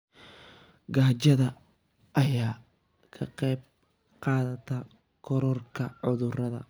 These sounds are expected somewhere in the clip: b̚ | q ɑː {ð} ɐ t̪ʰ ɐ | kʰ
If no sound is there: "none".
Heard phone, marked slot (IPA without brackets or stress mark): ð